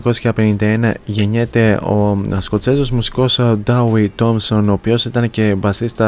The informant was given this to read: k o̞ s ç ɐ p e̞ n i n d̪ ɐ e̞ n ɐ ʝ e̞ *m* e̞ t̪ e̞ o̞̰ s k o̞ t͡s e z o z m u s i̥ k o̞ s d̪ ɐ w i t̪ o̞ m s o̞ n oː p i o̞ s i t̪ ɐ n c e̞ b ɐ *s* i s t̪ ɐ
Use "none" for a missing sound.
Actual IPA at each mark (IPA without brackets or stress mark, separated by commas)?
ɲ, s